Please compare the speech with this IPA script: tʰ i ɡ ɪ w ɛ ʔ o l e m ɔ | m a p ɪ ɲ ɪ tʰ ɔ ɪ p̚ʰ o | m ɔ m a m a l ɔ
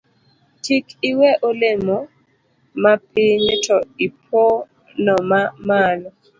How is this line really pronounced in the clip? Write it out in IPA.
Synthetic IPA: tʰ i k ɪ w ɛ ʔ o l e m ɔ | m a p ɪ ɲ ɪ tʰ ɔ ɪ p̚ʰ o | n ɔ m a m a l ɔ